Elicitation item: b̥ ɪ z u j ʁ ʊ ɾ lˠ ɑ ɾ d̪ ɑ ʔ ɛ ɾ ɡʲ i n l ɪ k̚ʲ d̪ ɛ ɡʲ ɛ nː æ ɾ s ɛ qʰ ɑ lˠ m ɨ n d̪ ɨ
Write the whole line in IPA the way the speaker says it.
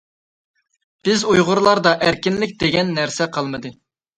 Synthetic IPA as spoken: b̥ ɪ z u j ʁ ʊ ɾ lˠ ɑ ɾ d̪ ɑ ʔ æ ɾ kʲ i n l ɪ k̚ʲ d̪ e ɡʲ ɛ nː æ ɾ s ɛ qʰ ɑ lˠ m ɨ d̪ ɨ